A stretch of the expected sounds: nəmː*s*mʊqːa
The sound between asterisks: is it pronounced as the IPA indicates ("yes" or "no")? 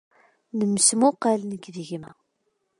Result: yes